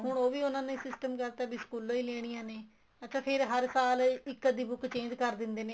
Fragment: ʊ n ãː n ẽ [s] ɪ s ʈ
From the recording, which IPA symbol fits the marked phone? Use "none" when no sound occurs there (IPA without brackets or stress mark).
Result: s